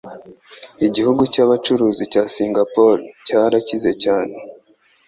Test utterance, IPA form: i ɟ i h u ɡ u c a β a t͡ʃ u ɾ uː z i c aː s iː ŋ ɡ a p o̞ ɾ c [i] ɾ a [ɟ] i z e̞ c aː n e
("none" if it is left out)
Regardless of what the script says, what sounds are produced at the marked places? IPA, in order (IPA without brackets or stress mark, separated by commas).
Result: a, c